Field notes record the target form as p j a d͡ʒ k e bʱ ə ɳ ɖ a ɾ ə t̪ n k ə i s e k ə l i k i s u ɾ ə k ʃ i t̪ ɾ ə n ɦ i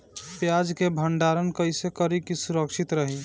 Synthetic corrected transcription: p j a d͡ʒ k e bʱ ə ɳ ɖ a ɾ ə n k ə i s e k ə ɾ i k i s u ɾ ə k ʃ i t̪ ɾ ə ɦ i